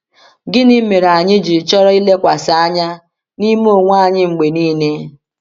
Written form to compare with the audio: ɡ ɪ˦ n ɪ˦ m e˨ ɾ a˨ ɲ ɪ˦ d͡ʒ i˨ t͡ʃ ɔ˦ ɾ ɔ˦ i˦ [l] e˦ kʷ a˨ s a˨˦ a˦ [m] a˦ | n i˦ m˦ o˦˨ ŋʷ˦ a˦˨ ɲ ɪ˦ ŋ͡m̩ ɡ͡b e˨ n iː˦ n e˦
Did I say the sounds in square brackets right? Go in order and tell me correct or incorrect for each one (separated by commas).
correct, incorrect